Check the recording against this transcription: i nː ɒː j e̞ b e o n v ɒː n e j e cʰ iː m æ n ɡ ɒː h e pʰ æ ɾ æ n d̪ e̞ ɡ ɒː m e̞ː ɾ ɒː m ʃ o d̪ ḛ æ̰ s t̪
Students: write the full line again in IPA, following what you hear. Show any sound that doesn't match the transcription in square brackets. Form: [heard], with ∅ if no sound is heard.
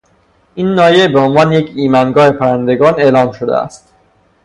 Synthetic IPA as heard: i nː ɒː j e̞ b e o n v ɒː n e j e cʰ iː m æ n ɡ ɒː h e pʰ æ ɾ æ n d̪ e̞ ɡ ɒː [n] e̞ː [l] ɒː m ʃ o d̪ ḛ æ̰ s t̪